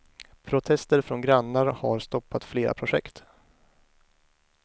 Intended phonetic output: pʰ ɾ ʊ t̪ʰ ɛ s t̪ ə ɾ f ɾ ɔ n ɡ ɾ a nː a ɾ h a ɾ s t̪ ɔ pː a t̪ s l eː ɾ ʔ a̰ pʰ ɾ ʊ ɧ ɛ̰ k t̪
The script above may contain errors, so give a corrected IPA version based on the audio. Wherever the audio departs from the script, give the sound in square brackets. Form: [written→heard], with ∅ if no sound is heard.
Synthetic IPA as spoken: pʰ ɾ ʊ t̪ʰ ɛ s t̪ ə ɾ f ɾ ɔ n ɡ ɾ a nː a ɾ h a ɾ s t̪ ɔ pː a t̪ [s→f] l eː ɾ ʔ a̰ pʰ ɾ ʊ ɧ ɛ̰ k t̪